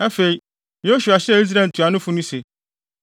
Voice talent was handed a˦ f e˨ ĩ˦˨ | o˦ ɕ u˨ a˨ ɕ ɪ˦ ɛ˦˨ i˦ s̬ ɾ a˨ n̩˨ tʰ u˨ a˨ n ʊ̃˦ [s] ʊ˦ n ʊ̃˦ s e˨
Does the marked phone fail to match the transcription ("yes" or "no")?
yes